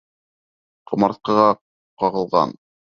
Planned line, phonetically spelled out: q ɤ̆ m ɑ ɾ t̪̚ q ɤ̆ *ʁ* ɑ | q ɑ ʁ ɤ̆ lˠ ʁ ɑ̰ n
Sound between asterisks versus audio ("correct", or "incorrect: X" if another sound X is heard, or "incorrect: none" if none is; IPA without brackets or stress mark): correct